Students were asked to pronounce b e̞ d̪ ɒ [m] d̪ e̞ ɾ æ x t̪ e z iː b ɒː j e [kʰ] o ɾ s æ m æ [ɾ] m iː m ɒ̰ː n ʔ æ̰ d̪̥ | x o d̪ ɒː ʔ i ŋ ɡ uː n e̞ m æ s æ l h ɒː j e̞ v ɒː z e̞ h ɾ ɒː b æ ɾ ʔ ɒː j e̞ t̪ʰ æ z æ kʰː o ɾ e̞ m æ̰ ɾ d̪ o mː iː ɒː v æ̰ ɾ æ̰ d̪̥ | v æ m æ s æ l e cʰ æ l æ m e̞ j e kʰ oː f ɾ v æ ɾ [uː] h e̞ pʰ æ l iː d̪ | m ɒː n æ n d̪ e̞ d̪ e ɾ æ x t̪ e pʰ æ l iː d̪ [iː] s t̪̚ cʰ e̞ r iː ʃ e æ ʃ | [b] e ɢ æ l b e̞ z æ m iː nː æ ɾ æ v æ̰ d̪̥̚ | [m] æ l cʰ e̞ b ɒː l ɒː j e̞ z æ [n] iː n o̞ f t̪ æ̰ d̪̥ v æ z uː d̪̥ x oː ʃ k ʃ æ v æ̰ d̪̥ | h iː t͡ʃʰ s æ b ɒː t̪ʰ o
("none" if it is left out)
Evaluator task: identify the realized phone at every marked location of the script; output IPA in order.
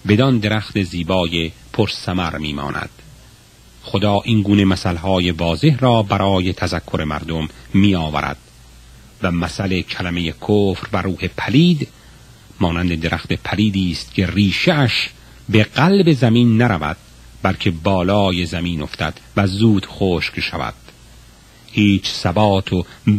n, pʰ, ɾ, uː, iː, b, b, m

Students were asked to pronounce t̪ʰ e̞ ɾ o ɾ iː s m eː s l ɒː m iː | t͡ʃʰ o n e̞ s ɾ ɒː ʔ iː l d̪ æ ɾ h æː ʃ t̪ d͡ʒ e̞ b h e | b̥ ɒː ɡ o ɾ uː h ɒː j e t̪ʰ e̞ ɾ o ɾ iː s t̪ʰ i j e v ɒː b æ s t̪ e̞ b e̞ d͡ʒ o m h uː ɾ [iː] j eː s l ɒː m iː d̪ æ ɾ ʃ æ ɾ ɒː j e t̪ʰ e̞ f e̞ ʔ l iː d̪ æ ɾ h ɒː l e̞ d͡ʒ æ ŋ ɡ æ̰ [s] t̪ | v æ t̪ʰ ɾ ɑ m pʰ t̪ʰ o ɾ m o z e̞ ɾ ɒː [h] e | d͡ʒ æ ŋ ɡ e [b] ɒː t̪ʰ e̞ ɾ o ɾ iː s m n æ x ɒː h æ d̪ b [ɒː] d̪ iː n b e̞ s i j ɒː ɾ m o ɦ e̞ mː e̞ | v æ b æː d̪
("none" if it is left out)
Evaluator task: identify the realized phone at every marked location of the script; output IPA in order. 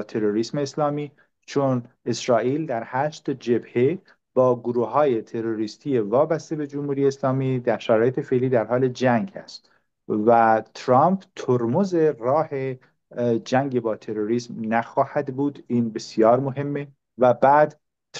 i, s, h, b, uː

